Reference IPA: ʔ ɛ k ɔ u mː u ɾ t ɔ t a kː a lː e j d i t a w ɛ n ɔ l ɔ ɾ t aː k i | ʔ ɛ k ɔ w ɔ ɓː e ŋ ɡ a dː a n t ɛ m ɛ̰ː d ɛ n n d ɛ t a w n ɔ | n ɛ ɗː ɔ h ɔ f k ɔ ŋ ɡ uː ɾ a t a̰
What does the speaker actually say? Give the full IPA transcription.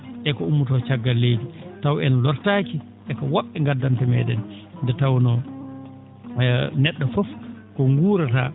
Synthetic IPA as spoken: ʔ ɛ k ɔ u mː u t ɔ t͡ʃ a ɡː a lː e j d i t a w ɛ n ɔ l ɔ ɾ t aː k i | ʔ ɛ k ɔ w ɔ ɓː ɛ ŋ ɡ a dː a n t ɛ m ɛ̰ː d ɛ n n d ɛ t a w n ɔ | n ɛ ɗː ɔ f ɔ f k ɔ ŋ ɡ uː ɾ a t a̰